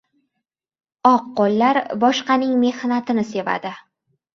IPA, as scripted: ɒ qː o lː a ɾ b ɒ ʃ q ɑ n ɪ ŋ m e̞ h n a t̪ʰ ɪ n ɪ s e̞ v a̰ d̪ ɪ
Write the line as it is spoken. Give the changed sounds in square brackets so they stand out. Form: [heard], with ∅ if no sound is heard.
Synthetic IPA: ɒ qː o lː a ɾ b ɒ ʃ q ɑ n ɪ ŋ m e̞ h n a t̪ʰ ɪ n ɪ s e̞ v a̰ d̪ ɪ